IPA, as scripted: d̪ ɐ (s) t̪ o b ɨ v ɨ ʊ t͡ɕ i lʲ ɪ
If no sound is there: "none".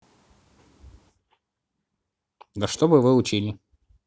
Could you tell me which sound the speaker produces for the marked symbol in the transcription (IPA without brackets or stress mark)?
ʂ